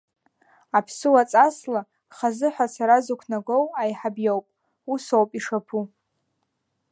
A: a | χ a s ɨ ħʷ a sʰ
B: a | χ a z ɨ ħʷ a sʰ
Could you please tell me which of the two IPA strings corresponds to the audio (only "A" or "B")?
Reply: B